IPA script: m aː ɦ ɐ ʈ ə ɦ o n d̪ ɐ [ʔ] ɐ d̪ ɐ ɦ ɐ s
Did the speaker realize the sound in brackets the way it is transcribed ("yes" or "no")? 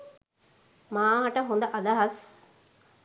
yes